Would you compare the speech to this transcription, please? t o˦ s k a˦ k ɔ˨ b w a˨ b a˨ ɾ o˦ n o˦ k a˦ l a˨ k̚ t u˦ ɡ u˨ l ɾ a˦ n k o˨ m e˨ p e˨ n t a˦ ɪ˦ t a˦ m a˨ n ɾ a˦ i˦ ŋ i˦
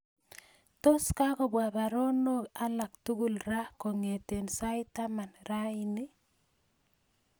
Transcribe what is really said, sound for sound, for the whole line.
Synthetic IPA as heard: t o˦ s k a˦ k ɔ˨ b w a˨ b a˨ ɾ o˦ n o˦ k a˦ l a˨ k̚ t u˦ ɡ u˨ l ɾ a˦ k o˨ ŋ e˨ t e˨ n s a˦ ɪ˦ t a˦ m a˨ n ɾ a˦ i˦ n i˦